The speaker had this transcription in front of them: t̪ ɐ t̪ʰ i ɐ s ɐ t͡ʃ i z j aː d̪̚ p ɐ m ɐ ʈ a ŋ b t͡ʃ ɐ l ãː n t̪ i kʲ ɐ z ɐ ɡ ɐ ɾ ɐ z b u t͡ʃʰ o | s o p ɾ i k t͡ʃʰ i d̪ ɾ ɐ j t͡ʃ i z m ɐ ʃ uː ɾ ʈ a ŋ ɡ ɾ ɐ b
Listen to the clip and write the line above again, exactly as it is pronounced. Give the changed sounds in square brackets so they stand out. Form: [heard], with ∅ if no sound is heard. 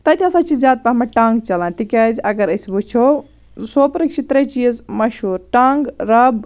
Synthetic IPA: t̪ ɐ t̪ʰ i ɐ s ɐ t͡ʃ i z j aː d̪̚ p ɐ m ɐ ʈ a ŋ [ɡ] t͡ʃ ɐ l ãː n t̪ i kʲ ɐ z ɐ ɡ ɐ ɾ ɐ [s] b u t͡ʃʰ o | s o p ɾ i k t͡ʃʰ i [t̪] ɾ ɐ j t͡ʃ i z m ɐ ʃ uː ɾ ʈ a ŋ ɡ ɾ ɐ b